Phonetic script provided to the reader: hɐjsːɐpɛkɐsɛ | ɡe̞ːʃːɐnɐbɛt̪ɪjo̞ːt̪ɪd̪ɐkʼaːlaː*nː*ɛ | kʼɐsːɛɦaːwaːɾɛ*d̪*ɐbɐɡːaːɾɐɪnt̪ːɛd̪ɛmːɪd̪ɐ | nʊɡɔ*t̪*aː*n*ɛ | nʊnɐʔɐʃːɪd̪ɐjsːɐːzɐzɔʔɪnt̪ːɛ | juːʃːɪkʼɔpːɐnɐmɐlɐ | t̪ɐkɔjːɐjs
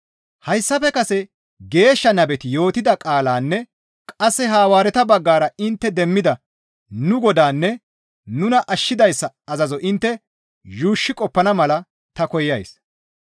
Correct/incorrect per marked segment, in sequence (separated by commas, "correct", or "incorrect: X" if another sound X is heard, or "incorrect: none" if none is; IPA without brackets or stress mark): correct, incorrect: t̪, incorrect: d̪, incorrect: nː